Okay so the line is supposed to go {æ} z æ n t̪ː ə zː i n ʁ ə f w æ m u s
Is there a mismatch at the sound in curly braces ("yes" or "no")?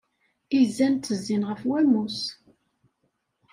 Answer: yes